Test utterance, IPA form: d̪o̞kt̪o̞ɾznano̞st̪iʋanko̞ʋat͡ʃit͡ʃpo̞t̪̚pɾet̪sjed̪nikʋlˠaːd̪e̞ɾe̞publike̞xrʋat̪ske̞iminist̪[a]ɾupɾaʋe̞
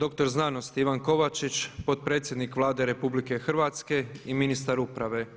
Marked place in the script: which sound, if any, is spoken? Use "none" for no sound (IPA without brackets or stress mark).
a